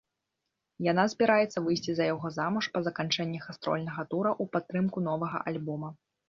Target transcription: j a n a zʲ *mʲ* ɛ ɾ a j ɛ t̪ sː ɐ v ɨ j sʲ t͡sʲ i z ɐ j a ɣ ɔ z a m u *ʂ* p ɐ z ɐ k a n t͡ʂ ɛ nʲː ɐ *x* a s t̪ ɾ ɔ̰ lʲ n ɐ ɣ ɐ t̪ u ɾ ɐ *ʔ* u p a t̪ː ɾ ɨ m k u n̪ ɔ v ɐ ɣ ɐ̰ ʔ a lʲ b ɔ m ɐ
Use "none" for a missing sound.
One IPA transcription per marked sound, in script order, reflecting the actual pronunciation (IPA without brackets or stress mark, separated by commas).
bʲ, ʂ, x, ʔ